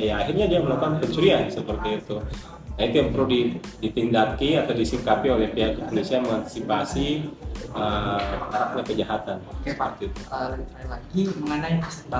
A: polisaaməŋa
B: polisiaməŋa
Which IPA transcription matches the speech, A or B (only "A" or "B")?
B